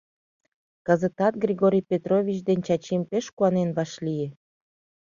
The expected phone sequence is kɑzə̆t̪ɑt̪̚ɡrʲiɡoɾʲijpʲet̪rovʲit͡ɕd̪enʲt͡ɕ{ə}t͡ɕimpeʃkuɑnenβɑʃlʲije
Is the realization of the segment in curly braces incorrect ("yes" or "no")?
yes